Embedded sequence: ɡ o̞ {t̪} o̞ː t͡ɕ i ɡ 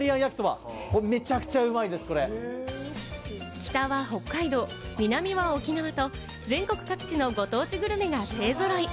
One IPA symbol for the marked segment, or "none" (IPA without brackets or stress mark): t̪